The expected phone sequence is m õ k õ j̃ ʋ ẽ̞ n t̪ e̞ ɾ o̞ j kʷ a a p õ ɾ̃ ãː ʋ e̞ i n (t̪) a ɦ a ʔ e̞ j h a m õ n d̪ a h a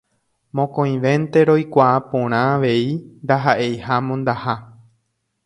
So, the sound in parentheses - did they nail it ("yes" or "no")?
no